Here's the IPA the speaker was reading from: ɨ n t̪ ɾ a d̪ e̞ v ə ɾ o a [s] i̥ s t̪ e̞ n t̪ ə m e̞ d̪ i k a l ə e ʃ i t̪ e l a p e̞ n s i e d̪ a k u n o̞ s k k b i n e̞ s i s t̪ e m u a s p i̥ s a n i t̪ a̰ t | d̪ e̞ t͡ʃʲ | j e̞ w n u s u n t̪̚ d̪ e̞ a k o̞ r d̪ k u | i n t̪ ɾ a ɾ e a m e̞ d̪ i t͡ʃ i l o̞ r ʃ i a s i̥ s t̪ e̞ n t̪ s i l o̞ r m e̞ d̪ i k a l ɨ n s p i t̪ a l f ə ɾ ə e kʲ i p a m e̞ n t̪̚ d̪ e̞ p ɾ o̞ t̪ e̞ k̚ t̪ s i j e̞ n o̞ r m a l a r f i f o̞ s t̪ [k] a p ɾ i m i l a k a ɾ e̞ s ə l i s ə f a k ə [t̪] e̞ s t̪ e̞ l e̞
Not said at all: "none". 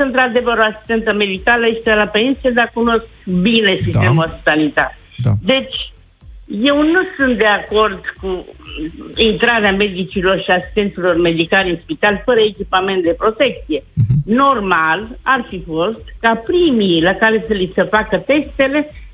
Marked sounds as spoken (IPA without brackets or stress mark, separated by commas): s, k, t̪